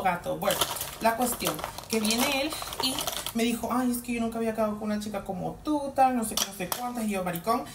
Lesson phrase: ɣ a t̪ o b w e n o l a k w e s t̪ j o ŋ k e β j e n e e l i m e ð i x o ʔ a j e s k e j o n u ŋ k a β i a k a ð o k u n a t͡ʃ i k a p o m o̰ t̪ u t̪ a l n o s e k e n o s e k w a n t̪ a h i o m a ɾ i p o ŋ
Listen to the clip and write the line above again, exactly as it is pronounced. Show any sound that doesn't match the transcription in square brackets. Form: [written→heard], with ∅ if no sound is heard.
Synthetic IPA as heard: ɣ a t̪ o b w e n o l a k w e s t̪ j o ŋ k e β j e n e e l i m e ð i x o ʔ a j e s k e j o n u ŋ k a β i a k a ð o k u n a t͡ʃ i k a [p→k] o m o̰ t̪ u t̪ a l n o s e k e n o s e k w a n t̪ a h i o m a ɾ i [p→k] o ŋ